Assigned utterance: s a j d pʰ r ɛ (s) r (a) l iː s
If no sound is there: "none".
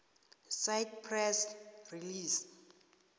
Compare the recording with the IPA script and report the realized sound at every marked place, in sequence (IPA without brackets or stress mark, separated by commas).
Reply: s, i